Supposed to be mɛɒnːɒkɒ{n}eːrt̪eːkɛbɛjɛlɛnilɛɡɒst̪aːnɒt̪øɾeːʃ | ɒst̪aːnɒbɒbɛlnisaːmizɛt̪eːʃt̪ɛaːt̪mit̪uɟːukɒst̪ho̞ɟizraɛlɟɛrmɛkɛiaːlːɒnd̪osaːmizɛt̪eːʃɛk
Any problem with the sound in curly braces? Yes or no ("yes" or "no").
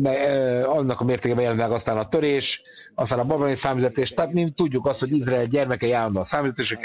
yes